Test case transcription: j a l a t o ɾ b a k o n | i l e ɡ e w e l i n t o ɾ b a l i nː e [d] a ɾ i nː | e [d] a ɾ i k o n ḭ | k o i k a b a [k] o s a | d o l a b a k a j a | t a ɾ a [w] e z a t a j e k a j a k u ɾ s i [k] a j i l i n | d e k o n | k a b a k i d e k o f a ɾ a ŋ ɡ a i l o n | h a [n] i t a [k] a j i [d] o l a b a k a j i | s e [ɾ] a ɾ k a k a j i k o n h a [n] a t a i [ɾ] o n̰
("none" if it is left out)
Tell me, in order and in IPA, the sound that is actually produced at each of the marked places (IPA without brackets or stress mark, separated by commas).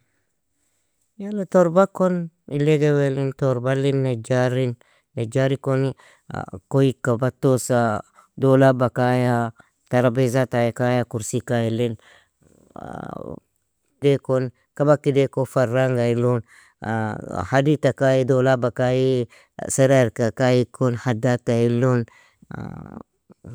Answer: d͡ʒ, d͡ʒ, t, b, k, d, k, d, ɾ, d, l